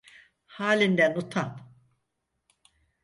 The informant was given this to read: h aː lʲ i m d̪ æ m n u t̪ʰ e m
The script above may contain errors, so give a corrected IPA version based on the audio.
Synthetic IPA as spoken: h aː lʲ i n d̪ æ n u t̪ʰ a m